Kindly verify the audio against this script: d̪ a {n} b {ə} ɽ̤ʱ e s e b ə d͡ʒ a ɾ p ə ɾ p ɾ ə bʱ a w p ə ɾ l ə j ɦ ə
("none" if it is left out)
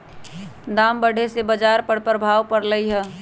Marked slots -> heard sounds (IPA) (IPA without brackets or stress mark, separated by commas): m, ə